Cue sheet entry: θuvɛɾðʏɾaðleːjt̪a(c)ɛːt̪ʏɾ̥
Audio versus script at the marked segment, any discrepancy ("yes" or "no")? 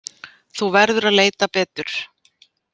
yes